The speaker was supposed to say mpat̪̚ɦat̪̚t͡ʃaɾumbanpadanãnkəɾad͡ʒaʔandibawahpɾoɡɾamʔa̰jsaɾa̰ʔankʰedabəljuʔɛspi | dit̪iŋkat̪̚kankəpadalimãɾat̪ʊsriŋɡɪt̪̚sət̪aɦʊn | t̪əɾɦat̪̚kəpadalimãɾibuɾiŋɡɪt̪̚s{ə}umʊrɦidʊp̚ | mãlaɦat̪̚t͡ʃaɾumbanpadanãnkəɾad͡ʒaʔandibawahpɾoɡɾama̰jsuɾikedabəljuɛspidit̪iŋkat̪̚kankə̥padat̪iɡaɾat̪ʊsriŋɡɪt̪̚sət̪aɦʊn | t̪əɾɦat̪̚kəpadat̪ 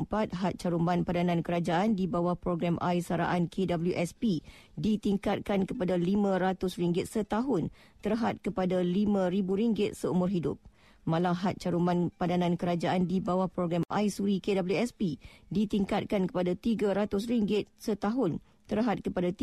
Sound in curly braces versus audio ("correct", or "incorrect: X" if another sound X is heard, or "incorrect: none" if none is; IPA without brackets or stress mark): correct